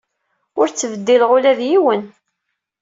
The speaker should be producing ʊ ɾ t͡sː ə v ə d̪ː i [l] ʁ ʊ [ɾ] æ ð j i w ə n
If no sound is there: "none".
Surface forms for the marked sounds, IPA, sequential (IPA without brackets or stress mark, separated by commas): l, l